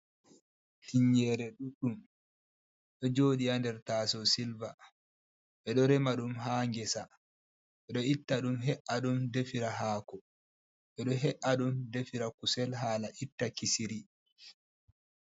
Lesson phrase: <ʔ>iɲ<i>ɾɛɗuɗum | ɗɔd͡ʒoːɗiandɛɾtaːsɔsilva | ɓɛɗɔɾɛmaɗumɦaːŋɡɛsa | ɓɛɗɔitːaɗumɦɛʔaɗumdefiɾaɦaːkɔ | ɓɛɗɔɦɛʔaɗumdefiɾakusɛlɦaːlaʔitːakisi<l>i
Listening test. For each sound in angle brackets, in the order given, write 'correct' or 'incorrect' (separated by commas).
incorrect, incorrect, incorrect